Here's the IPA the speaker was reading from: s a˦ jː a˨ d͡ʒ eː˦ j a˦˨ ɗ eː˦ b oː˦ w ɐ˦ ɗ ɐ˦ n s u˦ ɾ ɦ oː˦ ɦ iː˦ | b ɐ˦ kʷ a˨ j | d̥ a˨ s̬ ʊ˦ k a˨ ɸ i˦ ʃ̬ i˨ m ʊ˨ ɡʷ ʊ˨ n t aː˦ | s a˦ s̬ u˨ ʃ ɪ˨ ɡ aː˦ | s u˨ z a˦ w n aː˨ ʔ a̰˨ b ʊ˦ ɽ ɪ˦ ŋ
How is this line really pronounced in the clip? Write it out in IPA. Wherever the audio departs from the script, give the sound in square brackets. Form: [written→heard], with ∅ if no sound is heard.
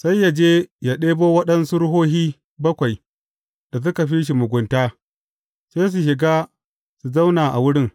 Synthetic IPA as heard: s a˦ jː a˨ d͡ʒ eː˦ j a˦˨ ɗ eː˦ b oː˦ w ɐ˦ ɗ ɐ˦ n s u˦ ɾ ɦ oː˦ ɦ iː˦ | b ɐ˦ kʷ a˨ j | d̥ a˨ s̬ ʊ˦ k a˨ ɸ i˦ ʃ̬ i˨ m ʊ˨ ɡʷ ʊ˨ n t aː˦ | s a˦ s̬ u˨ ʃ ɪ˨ ɡ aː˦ | s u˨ z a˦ w n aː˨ ʔ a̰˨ [b→w] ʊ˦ ɽ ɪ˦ ŋ